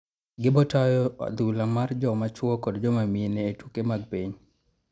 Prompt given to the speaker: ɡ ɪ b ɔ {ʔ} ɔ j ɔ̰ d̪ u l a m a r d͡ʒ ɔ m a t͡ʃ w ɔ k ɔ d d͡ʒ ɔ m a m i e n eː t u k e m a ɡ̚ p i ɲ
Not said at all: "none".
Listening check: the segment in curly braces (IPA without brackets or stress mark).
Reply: t